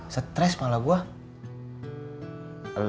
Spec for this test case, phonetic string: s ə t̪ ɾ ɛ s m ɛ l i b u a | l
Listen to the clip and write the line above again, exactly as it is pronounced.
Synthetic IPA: s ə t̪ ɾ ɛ s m a l a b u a | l